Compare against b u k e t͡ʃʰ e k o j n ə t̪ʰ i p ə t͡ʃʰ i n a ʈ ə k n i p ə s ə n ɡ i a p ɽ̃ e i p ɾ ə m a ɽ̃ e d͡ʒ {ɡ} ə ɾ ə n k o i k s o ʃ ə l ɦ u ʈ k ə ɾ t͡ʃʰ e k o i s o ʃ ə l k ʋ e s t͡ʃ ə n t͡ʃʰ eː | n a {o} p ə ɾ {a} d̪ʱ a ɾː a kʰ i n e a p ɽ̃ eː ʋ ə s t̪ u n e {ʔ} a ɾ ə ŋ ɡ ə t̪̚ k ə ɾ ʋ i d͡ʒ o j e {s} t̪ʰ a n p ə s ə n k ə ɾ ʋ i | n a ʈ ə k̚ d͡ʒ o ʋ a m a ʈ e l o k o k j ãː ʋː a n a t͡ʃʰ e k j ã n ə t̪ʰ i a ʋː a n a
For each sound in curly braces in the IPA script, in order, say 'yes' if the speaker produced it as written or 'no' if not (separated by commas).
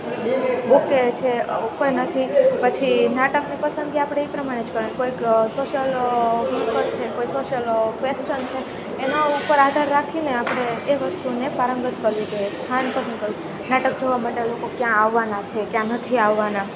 no, no, yes, no, yes